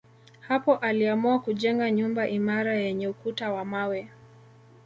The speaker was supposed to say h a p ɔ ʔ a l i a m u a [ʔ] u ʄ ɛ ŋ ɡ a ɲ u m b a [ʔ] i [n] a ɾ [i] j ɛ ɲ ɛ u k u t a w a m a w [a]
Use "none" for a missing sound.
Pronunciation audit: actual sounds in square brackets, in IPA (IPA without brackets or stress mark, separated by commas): k, ʔ, m, a, ɛ